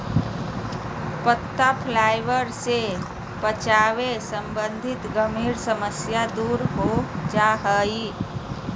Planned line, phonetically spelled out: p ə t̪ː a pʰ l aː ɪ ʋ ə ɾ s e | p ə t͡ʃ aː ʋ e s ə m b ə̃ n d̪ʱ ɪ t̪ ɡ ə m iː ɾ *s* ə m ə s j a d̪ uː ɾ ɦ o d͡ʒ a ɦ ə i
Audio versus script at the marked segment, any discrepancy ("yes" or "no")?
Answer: no